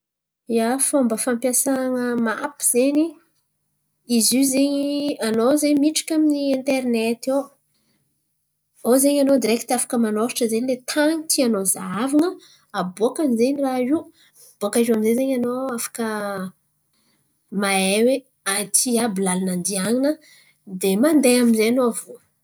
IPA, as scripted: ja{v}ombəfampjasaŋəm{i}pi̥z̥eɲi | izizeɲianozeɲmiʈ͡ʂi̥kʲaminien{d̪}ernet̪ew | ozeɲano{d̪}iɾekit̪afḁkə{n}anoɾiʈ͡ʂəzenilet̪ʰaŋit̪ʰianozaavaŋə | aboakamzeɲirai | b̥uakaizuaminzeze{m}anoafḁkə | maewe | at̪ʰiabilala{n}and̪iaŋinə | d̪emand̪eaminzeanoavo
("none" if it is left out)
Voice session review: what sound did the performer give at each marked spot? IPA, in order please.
f, a, t̪, d̪, m, ɲ, n

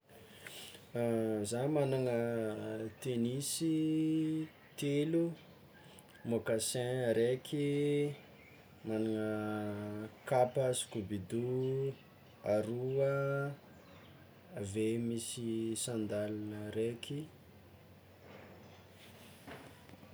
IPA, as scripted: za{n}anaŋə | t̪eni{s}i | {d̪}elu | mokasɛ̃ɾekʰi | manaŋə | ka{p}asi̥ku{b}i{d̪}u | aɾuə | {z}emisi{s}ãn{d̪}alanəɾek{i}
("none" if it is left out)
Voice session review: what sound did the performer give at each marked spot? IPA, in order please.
m, s, t̪, p, b, d̪, v, s, d̪, i

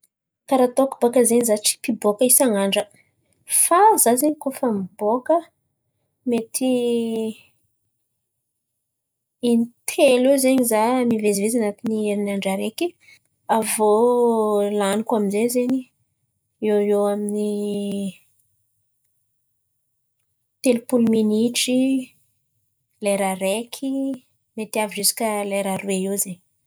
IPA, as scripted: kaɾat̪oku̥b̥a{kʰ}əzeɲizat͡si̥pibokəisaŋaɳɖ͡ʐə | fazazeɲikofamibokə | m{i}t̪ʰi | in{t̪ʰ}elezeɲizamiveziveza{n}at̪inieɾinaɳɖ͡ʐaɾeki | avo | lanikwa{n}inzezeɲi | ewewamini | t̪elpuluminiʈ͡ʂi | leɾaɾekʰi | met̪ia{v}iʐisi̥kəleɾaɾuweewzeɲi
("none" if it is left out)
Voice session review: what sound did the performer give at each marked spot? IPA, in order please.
k, e, t̪ʰ, n, m, v

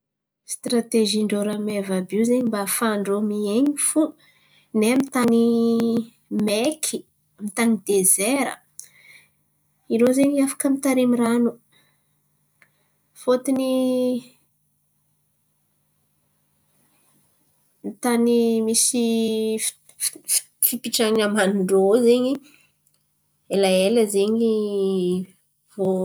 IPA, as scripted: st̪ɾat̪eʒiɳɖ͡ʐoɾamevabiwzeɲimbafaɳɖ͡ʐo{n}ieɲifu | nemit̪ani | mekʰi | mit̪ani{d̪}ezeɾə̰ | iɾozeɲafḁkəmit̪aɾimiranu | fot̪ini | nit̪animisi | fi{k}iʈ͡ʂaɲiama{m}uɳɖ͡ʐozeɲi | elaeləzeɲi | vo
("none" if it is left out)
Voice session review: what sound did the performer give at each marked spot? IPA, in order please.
m, d̪, p, n

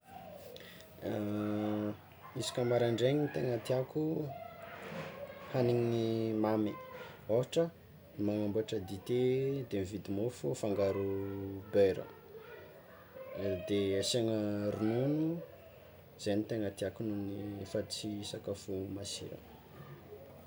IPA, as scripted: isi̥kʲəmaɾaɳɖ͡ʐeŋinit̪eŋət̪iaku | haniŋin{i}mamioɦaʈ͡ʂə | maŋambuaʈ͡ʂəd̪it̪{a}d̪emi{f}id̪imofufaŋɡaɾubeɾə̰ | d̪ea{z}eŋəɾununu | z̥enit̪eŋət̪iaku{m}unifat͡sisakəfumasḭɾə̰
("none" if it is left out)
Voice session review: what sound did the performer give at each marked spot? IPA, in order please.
i, e, v, s, n

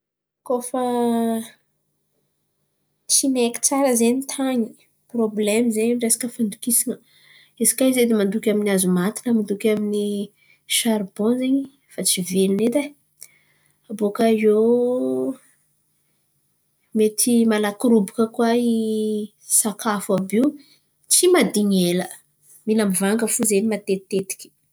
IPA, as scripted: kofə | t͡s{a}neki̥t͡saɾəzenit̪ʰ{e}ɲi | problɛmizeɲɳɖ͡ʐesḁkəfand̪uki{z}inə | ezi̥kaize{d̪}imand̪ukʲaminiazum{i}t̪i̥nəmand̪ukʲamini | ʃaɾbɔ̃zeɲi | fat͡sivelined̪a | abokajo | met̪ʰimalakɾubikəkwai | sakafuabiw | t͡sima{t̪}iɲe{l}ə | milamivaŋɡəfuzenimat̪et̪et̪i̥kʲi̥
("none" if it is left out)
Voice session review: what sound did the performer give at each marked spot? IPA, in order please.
i, a, s, d̪, a, d̪, l

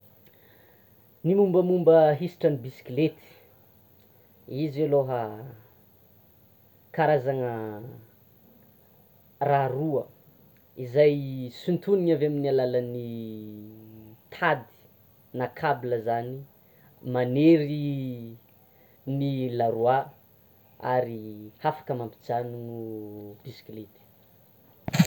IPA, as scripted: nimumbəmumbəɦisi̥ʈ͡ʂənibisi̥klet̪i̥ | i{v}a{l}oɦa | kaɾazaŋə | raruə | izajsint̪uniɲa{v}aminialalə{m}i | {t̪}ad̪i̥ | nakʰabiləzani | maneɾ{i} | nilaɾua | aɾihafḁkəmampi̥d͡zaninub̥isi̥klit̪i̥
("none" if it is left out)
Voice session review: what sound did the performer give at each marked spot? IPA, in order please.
z, l, v, n, t̪ʰ, i

